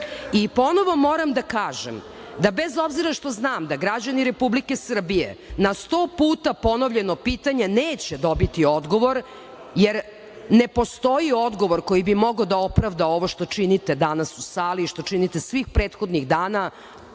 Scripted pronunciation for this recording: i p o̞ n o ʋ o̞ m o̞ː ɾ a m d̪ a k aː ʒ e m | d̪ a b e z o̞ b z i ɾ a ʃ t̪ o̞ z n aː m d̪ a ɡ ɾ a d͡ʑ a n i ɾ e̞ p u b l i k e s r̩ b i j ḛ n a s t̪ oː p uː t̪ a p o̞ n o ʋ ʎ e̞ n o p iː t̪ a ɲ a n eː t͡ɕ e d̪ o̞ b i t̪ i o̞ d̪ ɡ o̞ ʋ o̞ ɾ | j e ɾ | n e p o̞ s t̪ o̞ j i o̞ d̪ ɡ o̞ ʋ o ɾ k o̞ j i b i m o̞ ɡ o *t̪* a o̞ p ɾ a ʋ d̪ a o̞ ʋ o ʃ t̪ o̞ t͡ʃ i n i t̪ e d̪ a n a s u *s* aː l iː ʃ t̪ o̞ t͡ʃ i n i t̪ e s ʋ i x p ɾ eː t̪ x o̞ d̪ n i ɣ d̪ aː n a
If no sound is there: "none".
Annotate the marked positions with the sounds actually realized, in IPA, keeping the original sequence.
d̪, s

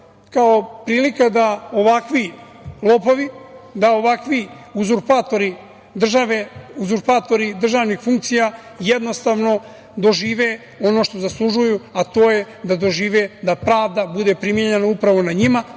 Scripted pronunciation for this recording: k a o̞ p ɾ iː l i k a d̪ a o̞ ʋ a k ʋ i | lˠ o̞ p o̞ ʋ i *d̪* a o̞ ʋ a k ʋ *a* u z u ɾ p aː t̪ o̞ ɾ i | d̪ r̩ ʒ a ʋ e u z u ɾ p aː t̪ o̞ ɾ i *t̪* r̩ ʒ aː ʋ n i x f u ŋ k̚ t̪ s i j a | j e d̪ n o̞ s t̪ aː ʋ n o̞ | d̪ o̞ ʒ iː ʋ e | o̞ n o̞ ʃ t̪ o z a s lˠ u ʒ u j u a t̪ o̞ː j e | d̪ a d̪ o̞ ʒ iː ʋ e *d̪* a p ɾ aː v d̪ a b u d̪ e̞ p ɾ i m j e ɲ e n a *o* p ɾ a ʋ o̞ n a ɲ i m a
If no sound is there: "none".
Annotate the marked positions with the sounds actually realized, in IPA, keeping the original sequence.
d̪, i, d̪, d̪, u

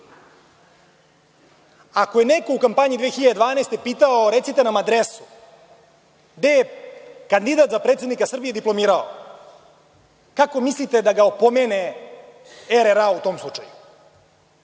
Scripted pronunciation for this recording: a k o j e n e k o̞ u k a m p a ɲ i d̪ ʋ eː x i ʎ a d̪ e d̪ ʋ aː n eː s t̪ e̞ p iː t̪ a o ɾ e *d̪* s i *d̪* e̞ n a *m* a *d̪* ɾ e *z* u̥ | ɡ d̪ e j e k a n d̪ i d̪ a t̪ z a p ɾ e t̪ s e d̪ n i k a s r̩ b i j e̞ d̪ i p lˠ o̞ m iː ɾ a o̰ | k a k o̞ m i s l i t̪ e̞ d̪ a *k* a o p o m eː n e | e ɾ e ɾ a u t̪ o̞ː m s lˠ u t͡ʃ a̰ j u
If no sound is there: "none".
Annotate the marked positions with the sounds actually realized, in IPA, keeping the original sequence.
t̪, t̪, m, d̪, s, ɡ

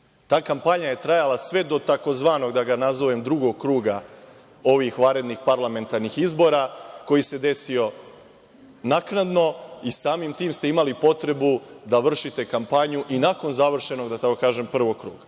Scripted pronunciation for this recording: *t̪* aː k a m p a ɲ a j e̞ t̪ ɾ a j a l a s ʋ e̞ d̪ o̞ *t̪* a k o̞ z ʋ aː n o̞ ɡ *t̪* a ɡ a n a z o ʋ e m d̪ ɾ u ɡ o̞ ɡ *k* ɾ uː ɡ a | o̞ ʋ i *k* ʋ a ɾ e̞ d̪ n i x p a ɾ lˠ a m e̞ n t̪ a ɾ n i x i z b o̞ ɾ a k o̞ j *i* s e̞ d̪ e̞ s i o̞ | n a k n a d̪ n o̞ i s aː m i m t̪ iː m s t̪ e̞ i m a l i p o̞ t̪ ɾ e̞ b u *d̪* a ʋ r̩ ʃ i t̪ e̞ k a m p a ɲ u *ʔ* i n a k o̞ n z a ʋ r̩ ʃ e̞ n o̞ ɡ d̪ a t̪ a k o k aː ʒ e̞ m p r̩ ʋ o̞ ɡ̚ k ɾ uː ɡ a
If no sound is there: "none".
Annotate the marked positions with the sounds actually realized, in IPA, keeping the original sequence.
t̪, t̪, d̪, k, x, i, d̪, ʔ

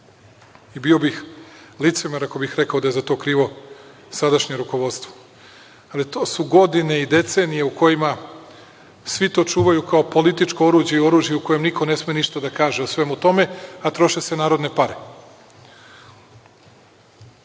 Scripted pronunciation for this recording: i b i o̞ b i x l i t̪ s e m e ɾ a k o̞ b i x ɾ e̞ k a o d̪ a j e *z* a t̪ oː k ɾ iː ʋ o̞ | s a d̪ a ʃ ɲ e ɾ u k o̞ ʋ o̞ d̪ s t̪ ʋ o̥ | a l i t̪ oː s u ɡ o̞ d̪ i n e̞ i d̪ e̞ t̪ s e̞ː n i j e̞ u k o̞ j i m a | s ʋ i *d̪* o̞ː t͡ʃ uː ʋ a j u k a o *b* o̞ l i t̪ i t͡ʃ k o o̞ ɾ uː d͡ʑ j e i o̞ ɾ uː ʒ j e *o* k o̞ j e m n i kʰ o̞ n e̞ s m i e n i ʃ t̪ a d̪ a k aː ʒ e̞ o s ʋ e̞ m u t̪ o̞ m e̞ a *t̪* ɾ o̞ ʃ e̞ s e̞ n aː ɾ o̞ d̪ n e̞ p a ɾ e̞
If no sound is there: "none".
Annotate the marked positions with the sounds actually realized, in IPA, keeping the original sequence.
z, t̪, p, u, t̪

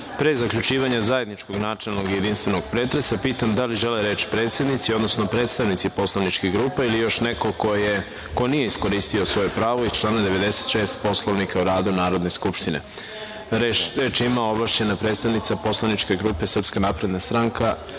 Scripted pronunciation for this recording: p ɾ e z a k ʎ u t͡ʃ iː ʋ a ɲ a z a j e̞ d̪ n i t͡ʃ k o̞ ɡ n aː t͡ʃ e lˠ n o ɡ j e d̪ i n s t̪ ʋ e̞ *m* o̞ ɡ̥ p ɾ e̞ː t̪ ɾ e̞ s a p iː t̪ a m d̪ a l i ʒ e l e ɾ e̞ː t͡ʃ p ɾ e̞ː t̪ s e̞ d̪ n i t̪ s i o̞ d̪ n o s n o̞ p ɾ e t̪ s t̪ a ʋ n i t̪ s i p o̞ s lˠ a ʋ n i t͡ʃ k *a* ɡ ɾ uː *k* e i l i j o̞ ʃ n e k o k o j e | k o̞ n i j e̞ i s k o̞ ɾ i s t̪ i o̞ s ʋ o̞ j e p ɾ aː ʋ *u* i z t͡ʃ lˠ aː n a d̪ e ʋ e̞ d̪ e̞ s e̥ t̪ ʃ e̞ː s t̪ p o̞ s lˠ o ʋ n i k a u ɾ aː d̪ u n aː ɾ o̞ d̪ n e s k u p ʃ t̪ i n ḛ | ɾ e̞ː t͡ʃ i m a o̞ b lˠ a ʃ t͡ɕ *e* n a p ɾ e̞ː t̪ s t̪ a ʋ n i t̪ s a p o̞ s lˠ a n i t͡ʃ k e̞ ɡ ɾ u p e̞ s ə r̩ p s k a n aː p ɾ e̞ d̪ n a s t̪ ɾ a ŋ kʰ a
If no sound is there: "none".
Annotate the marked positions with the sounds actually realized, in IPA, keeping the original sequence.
n, e, p, o, e

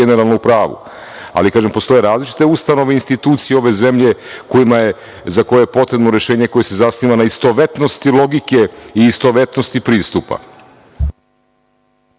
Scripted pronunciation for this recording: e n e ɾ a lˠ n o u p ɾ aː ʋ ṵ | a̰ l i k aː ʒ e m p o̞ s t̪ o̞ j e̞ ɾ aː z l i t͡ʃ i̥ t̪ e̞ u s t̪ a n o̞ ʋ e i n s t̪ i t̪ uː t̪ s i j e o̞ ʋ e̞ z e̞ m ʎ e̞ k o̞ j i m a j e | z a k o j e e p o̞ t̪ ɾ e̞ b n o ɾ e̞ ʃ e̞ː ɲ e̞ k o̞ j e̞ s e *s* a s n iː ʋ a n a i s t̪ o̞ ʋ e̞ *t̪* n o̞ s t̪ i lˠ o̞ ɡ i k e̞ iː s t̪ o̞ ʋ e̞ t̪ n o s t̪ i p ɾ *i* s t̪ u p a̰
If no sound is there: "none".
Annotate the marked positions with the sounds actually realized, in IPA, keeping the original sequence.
z, t̪, iː

